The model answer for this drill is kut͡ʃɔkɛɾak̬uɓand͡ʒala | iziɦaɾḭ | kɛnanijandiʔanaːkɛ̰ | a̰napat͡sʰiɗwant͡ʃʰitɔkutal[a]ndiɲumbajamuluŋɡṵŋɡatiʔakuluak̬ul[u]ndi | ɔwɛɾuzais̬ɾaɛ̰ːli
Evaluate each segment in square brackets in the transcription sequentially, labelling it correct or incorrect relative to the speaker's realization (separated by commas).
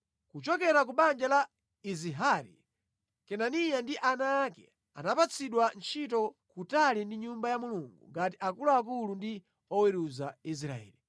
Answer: incorrect, correct